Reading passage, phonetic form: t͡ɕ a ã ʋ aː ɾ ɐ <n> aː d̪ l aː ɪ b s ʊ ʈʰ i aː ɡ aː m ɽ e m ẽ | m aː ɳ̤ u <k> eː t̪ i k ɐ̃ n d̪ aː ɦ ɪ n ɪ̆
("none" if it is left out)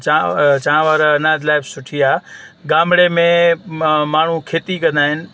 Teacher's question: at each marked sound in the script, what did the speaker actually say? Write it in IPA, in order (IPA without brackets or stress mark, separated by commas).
n, kʰ